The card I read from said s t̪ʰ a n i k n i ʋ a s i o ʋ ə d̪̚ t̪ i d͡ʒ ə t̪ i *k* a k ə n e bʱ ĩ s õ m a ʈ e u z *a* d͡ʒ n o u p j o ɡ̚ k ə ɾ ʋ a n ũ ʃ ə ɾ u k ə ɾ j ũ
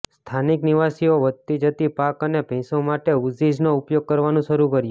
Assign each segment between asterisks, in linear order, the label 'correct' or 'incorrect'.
incorrect: p, incorrect: i

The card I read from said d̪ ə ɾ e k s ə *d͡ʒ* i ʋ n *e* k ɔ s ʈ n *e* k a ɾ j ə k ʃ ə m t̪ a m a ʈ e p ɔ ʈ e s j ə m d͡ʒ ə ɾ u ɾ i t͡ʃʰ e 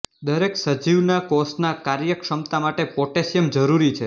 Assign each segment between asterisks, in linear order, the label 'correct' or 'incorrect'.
correct, incorrect: a, incorrect: a

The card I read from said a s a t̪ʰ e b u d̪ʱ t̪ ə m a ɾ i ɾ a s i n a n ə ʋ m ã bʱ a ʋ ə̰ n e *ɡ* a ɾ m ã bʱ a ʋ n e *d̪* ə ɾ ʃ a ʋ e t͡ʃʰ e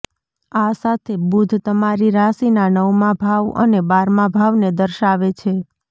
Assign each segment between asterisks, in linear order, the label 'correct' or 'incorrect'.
incorrect: b, correct

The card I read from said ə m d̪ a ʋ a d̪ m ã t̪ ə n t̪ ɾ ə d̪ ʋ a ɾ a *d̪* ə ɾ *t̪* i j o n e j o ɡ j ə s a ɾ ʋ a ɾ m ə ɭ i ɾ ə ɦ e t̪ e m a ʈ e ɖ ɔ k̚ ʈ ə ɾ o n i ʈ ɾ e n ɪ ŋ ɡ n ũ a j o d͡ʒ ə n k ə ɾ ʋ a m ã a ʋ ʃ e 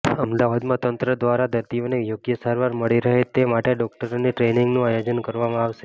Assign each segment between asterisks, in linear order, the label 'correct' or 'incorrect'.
correct, correct

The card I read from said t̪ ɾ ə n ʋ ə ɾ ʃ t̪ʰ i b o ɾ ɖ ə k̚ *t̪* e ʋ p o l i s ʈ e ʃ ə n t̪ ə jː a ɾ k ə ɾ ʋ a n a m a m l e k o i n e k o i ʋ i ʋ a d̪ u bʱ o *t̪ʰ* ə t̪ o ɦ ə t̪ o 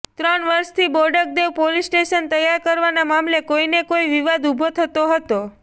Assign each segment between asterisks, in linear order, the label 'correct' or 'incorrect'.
incorrect: d̪, correct

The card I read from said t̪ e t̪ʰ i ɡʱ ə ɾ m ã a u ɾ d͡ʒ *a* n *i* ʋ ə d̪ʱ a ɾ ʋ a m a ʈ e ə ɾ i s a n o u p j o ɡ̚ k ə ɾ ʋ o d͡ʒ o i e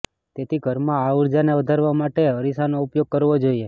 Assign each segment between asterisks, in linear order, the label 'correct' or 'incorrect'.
correct, incorrect: e

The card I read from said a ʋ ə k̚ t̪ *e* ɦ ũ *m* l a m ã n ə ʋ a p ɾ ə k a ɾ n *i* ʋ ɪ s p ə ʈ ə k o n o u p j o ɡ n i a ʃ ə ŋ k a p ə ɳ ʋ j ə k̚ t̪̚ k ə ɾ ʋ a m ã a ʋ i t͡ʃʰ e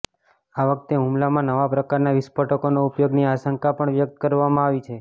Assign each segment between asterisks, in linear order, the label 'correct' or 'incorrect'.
correct, correct, incorrect: a

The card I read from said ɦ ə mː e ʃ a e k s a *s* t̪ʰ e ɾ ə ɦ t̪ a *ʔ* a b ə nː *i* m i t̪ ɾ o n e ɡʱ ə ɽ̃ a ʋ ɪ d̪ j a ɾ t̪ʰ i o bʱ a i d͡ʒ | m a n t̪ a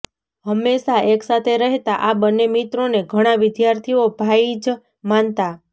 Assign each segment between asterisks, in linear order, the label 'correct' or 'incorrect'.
incorrect: none, correct, incorrect: e

